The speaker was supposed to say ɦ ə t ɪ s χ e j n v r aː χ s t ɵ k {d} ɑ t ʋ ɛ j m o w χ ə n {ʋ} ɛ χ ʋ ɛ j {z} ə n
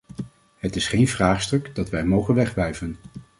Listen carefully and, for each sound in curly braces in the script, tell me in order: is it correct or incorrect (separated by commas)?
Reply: correct, correct, incorrect